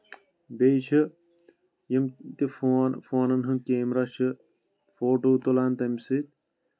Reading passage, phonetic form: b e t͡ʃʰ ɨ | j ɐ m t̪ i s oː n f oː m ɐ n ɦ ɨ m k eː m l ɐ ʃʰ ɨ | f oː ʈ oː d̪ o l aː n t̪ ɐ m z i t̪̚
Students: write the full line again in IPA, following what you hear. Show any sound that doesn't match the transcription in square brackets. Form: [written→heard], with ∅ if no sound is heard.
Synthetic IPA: b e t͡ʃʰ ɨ | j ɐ m t̪ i [s→f] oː n f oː [m→n] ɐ n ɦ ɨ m k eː m [l→ɾ] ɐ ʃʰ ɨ | f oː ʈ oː [d̪→t̪] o l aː n t̪ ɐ m [z→s] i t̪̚